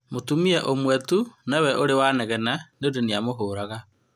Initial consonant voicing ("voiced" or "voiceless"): voiced